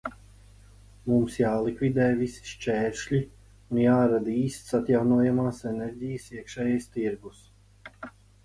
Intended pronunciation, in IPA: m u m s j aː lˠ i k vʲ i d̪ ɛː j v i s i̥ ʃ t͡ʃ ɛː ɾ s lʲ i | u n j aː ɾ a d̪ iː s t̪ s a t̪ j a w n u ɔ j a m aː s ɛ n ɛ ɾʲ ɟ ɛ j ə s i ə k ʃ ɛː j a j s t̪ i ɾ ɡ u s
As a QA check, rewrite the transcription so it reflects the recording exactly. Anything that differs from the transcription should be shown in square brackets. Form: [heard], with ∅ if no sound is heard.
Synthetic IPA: m u m s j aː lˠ i k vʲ i d̪ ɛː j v i s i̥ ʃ t͡ʃ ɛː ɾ [ʃ] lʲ i | u n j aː ɾ a d̪ iː s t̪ s a t̪ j a w n u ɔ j a m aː s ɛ n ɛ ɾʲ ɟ [i] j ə s i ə k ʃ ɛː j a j s t̪ i ɾ ɡ u s